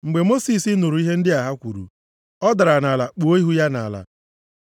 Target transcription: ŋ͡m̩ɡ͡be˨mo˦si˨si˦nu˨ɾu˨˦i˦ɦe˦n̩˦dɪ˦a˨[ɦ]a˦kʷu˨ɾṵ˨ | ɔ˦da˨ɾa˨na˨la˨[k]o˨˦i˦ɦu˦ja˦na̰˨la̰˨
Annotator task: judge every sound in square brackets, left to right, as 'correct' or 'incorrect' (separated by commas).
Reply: correct, incorrect